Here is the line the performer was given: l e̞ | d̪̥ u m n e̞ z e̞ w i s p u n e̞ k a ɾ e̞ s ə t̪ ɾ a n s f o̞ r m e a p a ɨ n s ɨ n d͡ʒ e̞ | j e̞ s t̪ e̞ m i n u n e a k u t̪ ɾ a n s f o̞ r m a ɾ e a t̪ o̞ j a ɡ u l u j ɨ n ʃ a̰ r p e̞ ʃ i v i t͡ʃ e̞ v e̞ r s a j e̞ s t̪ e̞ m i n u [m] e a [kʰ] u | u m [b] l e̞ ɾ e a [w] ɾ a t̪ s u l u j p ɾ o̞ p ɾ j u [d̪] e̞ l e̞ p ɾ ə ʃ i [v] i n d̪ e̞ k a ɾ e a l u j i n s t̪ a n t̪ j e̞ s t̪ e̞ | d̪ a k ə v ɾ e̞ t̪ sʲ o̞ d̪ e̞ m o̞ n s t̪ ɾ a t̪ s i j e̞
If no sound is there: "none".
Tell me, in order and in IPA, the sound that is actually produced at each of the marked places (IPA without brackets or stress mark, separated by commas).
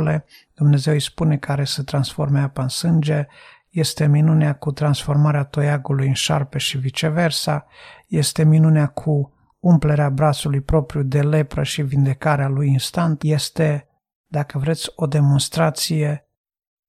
n, kʰ, p, b, d̪, v